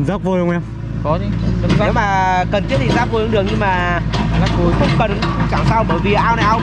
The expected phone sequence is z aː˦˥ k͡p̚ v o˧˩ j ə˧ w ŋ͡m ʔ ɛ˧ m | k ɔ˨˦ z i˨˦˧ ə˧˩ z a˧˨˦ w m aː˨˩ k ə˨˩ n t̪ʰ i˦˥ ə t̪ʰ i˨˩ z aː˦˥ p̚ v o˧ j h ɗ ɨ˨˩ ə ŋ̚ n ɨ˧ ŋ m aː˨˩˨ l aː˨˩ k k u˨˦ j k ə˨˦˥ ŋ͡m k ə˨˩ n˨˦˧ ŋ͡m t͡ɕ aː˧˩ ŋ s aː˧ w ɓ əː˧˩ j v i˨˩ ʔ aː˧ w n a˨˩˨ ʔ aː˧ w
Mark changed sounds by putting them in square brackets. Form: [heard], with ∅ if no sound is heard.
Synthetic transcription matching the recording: z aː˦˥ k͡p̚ v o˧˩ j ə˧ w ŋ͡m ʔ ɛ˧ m | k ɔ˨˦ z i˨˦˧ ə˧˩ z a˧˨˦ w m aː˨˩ k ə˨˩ n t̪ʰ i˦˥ ə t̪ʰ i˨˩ z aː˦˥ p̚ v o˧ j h ɗ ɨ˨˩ ə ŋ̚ [ɲ] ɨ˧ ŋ m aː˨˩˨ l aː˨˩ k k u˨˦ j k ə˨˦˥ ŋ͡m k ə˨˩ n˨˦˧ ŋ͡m t͡ɕ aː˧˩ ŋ s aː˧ w ɓ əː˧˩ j v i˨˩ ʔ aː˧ w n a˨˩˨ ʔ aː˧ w

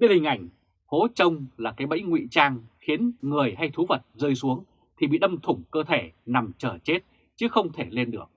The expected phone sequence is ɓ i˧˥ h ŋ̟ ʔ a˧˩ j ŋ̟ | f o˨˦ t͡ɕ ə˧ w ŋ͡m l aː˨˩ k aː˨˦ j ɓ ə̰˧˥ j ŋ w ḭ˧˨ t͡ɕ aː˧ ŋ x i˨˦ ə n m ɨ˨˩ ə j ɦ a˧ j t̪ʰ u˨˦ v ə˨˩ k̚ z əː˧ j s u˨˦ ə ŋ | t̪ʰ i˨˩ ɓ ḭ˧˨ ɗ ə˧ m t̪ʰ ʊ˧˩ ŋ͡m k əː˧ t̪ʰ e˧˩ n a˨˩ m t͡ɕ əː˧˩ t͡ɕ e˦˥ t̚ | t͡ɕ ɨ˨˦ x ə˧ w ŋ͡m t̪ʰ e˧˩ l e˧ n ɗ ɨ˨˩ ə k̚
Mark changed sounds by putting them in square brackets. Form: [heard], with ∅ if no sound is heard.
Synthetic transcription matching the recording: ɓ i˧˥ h ŋ̟ ʔ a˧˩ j ŋ̟ | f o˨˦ t͡ɕ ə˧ w ŋ͡m l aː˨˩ k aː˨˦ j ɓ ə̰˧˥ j ŋ w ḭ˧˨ t͡ɕ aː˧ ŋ x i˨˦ ə n [ŋ] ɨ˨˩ ə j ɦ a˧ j t̪ʰ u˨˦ v ə˨˩ [t̚] z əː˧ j s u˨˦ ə ŋ | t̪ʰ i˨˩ ɓ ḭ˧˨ ɗ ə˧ m t̪ʰ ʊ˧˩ ŋ͡m k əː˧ t̪ʰ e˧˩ n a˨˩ m t͡ɕ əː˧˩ t͡ɕ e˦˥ t̚ | t͡ɕ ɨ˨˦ x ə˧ w ŋ͡m t̪ʰ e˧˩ l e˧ n ɗ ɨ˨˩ ə k̚

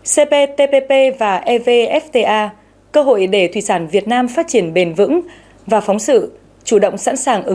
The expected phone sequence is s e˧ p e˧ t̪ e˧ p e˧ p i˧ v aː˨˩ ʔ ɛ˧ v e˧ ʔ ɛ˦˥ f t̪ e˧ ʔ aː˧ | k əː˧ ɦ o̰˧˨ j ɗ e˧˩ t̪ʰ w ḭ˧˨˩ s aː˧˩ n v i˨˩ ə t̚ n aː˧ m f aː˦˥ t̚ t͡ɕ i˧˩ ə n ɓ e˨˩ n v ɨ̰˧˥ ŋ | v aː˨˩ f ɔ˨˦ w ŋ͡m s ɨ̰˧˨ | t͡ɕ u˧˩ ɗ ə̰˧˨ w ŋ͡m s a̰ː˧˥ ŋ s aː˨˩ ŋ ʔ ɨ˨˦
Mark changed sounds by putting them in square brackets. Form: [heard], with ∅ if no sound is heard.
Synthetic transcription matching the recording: s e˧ p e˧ t̪ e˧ p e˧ p [e˧] v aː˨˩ ʔ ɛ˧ v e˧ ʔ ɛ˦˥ f t̪ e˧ ʔ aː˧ | k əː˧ ɦ o̰˧˨ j ɗ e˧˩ t̪ʰ w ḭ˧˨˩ s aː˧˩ n v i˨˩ ə t̚ n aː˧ m f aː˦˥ t̚ t͡ɕ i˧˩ ə n ɓ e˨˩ n v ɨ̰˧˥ ŋ | v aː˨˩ f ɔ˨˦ w ŋ͡m s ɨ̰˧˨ | t͡ɕ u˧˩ ɗ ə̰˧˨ w ŋ͡m s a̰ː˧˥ [n] s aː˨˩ ŋ ʔ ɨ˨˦

